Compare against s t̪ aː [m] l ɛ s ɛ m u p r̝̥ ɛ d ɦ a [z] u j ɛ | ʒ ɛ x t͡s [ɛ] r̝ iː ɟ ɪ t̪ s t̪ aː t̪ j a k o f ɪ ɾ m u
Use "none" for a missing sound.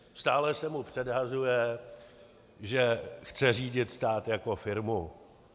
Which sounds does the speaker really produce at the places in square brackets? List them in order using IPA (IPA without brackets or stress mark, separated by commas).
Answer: none, z, ɛ